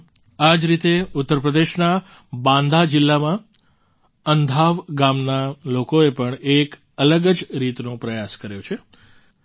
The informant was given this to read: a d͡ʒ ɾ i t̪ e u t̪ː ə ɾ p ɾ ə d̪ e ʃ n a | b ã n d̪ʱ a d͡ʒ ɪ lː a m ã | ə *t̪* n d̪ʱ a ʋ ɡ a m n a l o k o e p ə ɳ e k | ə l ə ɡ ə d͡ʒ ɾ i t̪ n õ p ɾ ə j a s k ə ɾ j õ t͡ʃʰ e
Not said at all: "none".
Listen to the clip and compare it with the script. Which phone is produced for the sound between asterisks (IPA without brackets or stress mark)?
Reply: none